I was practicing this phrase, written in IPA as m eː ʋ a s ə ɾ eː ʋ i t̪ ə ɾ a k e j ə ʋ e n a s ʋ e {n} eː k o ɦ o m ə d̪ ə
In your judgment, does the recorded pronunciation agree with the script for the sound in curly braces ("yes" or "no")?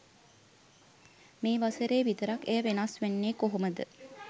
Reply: no